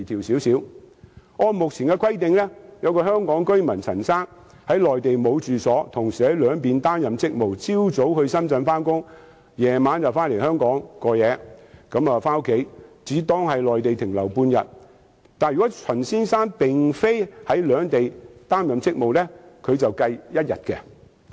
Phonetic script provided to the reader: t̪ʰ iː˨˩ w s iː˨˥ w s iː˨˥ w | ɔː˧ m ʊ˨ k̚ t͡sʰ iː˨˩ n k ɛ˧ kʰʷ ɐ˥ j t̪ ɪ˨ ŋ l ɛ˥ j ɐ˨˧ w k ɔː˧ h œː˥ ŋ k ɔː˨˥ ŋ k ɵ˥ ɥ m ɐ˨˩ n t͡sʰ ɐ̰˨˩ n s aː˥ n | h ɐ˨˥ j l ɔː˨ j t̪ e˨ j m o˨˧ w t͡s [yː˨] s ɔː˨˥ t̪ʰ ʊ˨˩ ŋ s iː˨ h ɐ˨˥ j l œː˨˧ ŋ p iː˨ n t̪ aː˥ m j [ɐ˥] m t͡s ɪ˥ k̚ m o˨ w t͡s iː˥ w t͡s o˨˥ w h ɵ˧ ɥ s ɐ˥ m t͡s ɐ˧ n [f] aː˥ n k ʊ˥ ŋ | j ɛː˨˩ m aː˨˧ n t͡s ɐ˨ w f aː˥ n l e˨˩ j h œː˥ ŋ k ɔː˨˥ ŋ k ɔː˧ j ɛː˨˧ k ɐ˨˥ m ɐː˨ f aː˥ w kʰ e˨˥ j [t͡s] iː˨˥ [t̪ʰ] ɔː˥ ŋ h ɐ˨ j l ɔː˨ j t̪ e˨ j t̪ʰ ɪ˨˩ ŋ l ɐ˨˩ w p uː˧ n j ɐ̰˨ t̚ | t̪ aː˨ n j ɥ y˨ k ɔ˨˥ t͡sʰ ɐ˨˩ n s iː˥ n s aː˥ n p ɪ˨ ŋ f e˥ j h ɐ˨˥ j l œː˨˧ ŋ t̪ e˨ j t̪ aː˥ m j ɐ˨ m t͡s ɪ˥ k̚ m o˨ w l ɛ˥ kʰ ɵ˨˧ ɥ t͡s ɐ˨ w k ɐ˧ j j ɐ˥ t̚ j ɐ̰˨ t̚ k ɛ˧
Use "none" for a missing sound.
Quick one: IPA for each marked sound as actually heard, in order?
yː˨, ɐ˨, f, t͡s, t̪

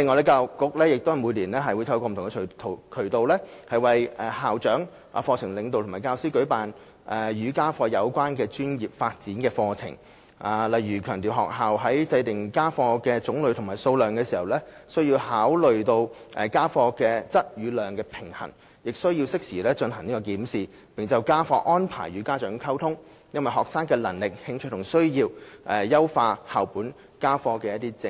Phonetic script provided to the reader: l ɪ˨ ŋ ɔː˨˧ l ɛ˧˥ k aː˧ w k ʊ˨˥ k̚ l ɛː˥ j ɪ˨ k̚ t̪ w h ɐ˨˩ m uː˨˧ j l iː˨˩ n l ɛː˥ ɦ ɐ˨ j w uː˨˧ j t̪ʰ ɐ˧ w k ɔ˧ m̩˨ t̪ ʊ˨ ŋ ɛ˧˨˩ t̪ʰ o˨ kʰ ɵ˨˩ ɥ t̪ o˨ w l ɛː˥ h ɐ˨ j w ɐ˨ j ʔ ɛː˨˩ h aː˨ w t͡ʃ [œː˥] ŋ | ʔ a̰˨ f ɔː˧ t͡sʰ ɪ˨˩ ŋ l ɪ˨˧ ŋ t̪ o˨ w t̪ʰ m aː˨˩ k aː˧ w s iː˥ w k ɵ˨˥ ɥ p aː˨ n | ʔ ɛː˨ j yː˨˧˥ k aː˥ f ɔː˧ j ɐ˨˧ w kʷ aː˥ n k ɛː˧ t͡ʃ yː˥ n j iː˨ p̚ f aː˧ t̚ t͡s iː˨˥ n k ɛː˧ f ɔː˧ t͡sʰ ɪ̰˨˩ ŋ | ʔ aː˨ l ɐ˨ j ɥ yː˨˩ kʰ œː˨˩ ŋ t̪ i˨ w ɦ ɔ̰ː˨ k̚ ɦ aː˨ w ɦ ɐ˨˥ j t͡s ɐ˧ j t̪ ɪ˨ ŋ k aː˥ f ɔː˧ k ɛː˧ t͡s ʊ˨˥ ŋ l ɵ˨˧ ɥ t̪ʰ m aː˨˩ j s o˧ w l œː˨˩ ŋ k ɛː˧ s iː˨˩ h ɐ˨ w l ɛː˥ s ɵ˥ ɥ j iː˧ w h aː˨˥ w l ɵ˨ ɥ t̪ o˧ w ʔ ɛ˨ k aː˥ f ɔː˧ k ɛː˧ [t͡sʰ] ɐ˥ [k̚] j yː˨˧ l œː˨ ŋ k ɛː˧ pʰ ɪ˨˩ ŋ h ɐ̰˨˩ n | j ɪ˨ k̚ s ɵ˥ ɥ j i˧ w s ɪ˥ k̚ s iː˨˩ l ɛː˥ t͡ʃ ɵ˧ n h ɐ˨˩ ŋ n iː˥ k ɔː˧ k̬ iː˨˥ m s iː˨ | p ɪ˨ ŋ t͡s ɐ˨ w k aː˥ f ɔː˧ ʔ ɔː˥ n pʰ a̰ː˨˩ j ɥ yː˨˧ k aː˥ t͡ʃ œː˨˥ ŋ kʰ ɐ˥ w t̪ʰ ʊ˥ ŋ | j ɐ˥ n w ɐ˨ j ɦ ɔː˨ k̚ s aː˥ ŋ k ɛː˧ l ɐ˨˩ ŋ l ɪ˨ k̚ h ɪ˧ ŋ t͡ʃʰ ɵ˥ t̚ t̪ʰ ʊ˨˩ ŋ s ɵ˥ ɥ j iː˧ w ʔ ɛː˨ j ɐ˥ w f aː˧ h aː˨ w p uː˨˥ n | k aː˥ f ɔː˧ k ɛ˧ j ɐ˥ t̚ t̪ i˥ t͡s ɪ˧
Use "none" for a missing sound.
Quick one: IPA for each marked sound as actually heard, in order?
œː˨˥, t͡s, t̚

